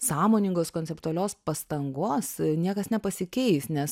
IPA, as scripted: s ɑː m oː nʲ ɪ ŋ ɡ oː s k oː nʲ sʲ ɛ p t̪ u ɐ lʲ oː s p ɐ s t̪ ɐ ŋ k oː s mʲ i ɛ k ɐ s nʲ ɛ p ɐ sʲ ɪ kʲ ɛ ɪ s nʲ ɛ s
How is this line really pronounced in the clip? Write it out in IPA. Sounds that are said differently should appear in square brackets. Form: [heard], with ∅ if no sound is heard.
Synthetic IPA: s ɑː m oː nʲ ɪ ŋ ɡ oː s k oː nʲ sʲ ɛ p t̪ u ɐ lʲ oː s p ɐ s t̪ ɐ ŋ [ɡ] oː s [nʲ] i ɛ k ɐ s nʲ ɛ p ɐ sʲ ɪ kʲ ɛ ɪ s nʲ ɛ s